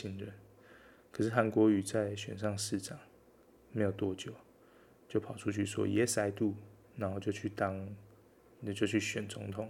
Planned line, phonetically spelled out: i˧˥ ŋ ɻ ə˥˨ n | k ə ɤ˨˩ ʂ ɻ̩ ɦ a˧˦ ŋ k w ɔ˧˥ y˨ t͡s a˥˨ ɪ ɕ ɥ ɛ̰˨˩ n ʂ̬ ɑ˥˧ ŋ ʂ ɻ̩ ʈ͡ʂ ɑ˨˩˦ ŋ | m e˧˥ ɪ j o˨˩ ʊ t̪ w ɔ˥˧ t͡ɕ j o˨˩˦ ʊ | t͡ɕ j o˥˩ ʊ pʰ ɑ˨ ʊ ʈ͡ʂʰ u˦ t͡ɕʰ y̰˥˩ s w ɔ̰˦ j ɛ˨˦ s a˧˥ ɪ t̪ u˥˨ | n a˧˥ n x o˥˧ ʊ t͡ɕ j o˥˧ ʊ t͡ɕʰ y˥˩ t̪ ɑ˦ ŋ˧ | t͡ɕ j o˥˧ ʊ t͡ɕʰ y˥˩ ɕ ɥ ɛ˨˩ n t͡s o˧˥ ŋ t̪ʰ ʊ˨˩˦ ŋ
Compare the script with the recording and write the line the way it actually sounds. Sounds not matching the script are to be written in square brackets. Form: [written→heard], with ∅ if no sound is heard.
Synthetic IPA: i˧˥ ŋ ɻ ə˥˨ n | [k→kʰ] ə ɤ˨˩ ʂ ɻ̩ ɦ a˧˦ [ŋ→n] k w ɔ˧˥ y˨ t͡s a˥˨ ɪ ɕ ɥ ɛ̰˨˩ n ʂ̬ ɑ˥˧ ŋ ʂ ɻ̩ ʈ͡ʂ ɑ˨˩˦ ŋ | m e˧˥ ɪ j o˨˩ ʊ t̪ w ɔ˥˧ t͡ɕ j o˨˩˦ ʊ | t͡ɕ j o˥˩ ʊ pʰ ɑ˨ ʊ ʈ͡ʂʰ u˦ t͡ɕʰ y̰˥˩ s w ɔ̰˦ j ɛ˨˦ s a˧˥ ɪ t̪ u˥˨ | n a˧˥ n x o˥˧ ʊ t͡ɕ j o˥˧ ʊ t͡ɕʰ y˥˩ t̪ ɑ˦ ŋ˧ | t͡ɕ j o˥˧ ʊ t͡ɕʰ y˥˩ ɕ ɥ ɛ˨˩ n t͡s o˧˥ ŋ t̪ʰ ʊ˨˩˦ ŋ